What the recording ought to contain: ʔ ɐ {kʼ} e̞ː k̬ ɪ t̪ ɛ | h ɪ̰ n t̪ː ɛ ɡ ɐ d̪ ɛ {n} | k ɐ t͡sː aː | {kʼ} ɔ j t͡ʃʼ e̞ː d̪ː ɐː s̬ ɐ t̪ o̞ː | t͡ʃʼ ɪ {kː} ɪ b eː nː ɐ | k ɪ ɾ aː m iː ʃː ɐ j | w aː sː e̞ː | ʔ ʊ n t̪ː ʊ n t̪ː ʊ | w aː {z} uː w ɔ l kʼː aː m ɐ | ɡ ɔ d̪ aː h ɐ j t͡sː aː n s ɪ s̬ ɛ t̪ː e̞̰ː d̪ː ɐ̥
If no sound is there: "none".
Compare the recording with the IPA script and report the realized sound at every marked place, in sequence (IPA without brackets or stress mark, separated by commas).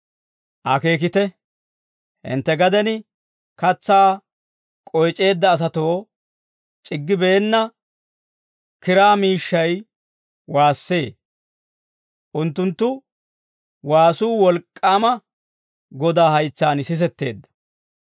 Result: k, n, kʼ, ɡː, s